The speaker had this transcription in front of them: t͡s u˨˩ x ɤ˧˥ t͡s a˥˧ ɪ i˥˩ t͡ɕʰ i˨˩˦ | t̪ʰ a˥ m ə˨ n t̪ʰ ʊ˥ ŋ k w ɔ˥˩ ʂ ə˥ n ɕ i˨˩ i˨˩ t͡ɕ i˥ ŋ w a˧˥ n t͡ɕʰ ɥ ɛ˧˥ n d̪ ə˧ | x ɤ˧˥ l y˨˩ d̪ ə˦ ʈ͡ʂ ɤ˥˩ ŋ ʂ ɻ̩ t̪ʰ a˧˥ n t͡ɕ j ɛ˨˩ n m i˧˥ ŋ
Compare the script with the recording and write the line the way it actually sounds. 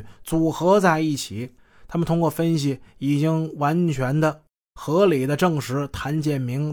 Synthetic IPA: t͡s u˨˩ x ɤ˧˥ t͡s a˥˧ ɪ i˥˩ t͡ɕʰ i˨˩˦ | t̪ʰ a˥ m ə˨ n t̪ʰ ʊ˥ ŋ k w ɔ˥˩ f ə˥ n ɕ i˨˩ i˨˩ t͡ɕ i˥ ŋ w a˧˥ n t͡ɕʰ ɥ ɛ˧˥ n d̪ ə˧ | x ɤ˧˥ l i˨˩ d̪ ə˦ ʈ͡ʂ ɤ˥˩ ŋ ʂ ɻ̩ t̪ʰ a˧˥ n t͡ɕ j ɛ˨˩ n m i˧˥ ŋ